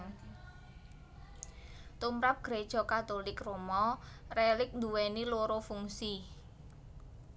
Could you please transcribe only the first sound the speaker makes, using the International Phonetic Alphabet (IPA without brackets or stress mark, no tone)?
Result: t̪